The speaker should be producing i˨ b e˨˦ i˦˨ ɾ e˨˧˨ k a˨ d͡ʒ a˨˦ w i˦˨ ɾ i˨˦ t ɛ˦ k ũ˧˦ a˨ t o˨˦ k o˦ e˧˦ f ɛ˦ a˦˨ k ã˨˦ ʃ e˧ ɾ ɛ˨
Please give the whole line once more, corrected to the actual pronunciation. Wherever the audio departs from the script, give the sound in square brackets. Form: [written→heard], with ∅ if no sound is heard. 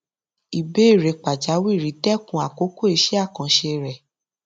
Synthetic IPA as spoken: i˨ b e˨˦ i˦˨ ɾ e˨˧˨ [k→k͡p] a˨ d͡ʒ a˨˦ w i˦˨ ɾ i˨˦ t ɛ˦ k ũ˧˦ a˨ [t→k] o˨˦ k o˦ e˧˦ [f→ʃ] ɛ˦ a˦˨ k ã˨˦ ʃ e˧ ɾ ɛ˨